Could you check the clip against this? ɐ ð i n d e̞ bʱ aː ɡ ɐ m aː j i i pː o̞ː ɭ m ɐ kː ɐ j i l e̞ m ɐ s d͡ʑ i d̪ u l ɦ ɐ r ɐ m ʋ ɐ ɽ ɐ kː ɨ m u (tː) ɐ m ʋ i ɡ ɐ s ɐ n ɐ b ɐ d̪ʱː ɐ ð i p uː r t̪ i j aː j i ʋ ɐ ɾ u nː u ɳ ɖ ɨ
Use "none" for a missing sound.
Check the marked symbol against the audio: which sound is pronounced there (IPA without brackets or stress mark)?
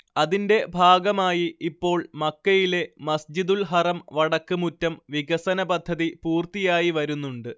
tː